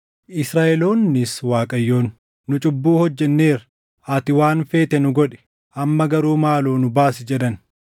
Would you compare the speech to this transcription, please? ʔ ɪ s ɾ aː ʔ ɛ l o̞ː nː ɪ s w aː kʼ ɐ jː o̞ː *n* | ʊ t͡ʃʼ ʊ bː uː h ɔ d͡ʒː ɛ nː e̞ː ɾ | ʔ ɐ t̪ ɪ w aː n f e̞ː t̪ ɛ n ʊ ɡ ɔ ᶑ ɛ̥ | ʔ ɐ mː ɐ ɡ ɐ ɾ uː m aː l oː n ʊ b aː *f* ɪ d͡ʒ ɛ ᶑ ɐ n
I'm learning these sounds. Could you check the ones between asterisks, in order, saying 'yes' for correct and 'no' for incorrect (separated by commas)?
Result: no, no